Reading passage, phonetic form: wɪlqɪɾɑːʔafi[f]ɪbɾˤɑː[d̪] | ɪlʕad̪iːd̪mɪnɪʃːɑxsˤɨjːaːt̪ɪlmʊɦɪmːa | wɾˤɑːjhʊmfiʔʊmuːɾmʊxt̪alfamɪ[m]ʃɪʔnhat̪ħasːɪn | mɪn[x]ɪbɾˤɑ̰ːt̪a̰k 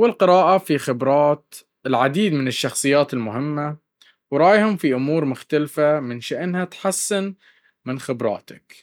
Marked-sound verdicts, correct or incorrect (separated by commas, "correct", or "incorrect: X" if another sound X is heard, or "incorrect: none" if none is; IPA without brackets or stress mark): incorrect: x, incorrect: t̪, incorrect: n, correct